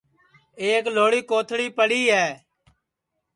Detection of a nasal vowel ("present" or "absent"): absent